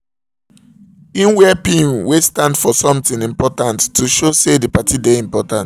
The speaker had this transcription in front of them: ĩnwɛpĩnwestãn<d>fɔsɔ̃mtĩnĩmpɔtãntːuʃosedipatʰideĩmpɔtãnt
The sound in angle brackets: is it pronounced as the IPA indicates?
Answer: yes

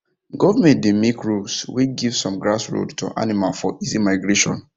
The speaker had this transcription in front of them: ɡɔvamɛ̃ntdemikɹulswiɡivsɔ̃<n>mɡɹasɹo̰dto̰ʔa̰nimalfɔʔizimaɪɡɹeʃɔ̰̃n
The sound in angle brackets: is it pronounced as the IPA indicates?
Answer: no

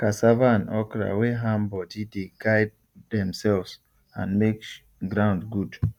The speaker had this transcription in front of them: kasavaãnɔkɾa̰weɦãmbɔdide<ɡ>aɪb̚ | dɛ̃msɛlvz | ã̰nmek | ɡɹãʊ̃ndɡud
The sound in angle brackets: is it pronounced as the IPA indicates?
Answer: yes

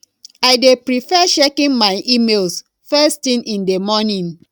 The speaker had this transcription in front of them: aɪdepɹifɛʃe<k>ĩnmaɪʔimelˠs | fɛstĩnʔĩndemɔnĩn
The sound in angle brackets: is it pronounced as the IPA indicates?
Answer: yes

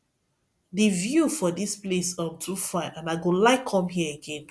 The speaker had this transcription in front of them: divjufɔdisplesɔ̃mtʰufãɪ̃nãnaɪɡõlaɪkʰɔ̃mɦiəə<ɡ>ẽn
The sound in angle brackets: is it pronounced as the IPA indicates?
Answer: yes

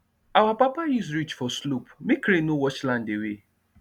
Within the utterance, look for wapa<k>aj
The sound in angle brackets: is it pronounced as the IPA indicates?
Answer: no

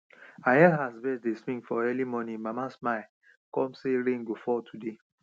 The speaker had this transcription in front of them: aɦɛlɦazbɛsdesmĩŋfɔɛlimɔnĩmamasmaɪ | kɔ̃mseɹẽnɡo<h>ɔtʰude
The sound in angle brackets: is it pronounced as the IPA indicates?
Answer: no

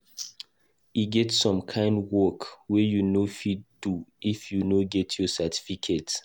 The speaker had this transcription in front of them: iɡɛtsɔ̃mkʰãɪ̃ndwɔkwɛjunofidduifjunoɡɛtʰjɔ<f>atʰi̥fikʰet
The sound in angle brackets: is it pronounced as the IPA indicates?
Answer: no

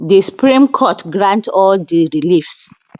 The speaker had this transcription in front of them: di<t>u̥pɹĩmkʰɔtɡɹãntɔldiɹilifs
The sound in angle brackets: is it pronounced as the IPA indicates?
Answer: no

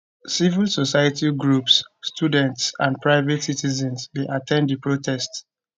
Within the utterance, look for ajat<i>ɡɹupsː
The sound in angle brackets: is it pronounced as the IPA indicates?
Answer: yes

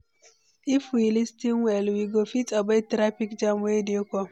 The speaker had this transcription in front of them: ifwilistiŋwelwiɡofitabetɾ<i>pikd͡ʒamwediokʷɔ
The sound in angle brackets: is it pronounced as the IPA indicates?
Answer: no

